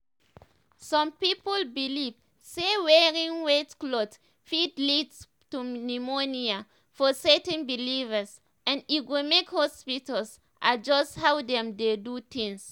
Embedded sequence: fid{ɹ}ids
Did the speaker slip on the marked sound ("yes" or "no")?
yes